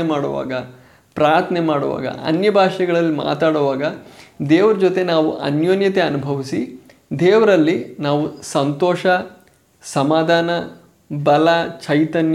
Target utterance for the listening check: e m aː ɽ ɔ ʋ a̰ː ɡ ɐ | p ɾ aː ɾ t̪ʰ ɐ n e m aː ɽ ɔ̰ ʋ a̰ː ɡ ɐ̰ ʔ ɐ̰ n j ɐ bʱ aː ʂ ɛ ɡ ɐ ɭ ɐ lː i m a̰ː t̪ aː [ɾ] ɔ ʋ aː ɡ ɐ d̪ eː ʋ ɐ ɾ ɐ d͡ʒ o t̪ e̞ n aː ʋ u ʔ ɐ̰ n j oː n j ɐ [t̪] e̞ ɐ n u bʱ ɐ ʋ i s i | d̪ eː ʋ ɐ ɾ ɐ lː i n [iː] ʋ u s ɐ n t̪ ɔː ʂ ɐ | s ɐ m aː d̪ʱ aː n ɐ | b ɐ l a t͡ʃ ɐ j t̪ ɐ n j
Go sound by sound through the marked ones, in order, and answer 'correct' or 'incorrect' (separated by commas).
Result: incorrect, correct, incorrect